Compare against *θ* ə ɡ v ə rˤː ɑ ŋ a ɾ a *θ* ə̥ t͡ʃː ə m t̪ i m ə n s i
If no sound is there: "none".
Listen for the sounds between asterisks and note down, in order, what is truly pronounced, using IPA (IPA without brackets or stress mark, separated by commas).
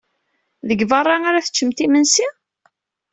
ð, θ